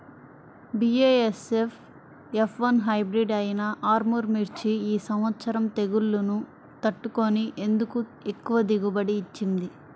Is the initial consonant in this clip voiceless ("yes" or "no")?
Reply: no